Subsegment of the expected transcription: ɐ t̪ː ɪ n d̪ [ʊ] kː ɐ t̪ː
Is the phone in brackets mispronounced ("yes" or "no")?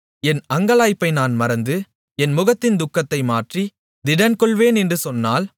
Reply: no